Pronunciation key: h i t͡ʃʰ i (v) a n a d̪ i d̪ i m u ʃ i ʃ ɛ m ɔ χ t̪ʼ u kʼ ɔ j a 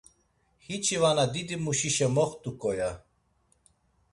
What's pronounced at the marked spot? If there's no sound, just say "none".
v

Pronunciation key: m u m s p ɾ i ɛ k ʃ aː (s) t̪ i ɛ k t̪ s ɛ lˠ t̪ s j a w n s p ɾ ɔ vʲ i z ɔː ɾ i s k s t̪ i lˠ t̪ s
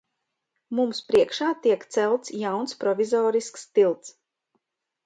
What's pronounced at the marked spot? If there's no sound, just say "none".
none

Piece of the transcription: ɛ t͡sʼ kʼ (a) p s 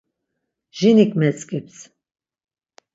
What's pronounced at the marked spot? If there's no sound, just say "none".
i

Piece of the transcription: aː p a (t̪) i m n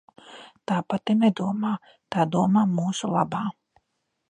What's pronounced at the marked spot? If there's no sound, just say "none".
t̪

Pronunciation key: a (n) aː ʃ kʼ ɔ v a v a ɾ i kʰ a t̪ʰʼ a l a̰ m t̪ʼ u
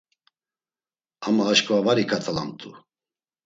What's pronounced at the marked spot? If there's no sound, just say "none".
m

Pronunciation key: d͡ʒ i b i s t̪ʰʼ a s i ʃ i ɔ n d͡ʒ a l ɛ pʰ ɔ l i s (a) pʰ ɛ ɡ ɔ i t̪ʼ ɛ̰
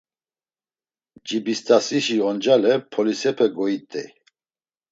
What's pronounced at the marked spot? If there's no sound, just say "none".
ɛ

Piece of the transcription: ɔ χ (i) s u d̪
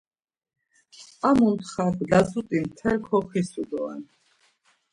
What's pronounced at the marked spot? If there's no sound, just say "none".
i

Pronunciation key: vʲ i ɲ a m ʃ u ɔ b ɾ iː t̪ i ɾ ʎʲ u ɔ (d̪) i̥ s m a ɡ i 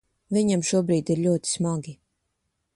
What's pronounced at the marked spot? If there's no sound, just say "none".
t̪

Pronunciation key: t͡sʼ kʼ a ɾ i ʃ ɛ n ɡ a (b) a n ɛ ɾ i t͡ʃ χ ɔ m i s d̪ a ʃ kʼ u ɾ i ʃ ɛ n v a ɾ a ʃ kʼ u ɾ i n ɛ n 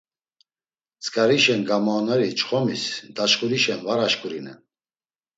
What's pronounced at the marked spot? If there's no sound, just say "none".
m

